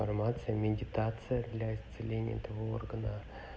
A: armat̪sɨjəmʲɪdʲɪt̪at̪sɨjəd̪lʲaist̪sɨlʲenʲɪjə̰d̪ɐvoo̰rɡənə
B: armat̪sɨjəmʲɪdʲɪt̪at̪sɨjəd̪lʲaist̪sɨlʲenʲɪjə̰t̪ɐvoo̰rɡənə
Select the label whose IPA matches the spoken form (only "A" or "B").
B